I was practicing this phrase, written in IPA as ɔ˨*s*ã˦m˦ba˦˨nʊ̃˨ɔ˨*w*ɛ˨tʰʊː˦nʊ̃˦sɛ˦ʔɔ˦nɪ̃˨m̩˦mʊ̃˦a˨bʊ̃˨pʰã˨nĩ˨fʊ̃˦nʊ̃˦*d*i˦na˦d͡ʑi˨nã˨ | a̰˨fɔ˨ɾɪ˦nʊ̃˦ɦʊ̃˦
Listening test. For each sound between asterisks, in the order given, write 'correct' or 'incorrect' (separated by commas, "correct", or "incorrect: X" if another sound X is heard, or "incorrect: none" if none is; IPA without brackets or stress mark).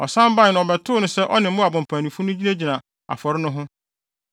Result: correct, incorrect: b, incorrect: d͡ʑ